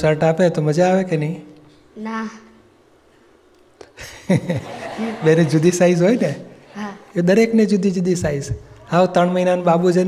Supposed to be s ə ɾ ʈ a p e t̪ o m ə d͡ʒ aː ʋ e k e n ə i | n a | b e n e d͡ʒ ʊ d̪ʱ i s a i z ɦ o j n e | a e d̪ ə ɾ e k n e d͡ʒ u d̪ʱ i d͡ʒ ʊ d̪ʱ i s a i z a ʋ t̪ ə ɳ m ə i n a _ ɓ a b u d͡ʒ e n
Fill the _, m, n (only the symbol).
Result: n